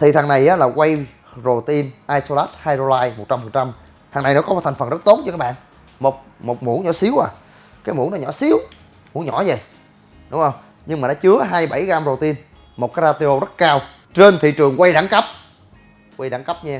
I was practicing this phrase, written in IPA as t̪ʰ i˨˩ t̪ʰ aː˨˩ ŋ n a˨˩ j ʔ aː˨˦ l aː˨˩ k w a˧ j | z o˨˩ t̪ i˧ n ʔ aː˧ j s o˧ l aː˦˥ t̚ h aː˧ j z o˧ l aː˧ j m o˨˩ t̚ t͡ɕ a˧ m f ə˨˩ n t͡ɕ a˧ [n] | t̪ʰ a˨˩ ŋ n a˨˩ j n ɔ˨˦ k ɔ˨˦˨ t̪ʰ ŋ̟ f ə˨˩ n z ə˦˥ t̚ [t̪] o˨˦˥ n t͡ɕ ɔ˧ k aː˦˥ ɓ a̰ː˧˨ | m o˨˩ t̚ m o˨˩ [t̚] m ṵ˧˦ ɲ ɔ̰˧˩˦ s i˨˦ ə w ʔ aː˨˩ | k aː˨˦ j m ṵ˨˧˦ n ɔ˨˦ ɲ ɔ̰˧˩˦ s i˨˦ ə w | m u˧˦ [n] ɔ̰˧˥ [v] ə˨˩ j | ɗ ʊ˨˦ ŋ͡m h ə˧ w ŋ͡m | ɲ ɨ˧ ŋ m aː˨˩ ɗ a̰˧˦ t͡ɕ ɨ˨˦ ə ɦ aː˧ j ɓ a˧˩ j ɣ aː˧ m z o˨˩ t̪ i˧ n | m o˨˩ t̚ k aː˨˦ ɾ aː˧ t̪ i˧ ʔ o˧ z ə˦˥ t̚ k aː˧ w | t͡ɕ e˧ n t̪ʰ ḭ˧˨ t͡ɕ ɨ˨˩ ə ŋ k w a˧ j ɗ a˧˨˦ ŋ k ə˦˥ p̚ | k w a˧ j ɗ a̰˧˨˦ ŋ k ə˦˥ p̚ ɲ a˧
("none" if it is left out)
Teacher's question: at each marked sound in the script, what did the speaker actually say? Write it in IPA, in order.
m, t̪, t̚, ɲ, z

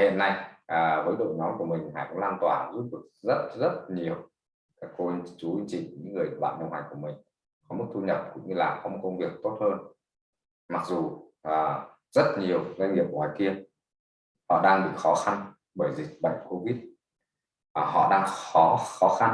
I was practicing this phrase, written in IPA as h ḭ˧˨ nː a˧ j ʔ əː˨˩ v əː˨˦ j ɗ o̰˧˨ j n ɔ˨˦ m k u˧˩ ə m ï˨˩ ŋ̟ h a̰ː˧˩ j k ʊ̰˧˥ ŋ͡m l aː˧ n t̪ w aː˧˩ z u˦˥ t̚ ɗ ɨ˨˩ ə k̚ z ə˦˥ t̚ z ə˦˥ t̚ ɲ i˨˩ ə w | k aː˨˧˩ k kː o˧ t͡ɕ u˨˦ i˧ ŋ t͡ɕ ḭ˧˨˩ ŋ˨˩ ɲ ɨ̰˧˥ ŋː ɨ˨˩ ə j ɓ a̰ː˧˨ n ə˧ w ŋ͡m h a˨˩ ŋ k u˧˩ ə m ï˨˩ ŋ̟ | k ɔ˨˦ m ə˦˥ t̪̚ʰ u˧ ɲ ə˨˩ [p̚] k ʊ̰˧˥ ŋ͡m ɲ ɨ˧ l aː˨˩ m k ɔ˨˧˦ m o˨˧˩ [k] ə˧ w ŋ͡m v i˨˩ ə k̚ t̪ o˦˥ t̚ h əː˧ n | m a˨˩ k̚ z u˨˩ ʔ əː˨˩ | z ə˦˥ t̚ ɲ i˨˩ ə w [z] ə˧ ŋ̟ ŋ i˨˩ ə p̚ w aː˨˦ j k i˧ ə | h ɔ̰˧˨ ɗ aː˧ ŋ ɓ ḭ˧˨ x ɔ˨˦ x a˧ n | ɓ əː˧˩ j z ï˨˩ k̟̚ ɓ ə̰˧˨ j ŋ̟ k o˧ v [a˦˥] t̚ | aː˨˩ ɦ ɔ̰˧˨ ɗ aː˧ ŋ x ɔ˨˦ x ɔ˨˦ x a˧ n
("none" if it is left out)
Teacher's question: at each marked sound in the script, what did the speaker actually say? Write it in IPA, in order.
p̚, k, z, i˦˥

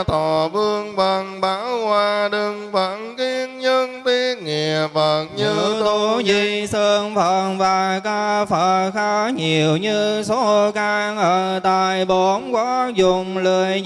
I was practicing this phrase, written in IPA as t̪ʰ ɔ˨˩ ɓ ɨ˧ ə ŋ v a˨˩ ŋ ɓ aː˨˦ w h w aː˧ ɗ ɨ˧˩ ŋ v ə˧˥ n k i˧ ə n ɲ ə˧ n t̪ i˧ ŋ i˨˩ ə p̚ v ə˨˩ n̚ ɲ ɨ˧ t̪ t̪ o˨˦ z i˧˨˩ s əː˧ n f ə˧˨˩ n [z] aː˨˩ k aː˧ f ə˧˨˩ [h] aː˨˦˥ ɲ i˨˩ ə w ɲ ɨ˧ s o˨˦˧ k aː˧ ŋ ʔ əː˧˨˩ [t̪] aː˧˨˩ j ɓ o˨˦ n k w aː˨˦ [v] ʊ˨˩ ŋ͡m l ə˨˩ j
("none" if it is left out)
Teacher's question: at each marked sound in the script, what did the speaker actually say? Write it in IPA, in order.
v, x, t̪, z

